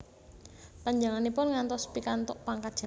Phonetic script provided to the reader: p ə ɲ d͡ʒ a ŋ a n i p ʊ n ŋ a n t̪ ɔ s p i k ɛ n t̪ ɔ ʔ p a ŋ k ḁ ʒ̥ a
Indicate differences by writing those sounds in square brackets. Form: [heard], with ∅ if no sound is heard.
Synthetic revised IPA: p [a] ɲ d͡ʒ a ŋ a n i p ʊ n ŋ a n t̪ ɔ s p i k [a] n t̪ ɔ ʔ p a ŋ k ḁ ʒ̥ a